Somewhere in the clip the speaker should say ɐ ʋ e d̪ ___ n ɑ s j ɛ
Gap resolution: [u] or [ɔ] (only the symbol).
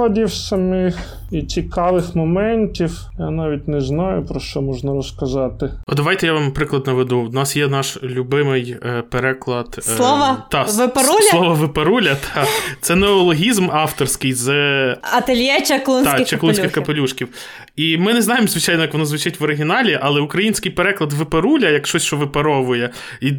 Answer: u